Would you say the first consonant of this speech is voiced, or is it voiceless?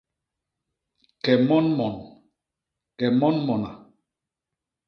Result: voiceless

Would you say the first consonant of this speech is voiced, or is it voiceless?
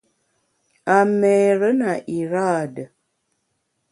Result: voiced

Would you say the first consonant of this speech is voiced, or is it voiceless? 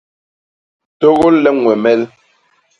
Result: voiceless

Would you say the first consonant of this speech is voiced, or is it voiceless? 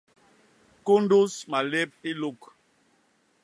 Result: voiceless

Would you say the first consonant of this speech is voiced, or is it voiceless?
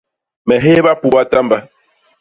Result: voiced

